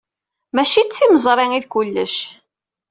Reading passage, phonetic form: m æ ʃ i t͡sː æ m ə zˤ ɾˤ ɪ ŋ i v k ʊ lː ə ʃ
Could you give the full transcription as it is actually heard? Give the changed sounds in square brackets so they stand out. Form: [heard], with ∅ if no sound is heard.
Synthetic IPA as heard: m æ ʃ i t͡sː [i] m ə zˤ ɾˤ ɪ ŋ i [ð] k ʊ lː ə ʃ